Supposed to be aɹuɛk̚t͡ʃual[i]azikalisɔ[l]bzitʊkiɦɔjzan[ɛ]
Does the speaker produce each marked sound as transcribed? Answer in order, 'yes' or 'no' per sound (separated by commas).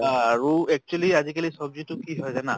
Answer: yes, no, no